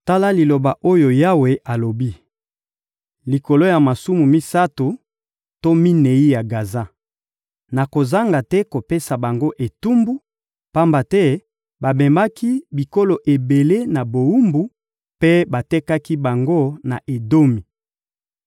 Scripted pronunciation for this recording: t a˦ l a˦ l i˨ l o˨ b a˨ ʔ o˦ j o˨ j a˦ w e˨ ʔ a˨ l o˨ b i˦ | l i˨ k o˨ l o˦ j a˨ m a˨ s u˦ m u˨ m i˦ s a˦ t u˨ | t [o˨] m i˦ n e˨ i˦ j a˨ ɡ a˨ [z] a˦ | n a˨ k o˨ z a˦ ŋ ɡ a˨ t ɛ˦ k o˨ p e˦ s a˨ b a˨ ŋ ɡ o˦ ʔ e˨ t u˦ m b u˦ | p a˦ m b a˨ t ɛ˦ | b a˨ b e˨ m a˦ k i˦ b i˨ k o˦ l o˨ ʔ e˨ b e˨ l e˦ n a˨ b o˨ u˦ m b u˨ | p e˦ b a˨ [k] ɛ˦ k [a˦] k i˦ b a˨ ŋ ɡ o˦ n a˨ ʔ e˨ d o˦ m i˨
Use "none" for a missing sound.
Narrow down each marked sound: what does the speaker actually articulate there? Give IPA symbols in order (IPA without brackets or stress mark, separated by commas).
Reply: o˦, z, t, a˦